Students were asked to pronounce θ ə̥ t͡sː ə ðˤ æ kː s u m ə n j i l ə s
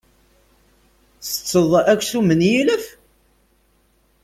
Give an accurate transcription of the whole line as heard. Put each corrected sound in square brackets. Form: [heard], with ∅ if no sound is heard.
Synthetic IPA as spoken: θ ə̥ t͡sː ə ðˤ æ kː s u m ə n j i l ə [f]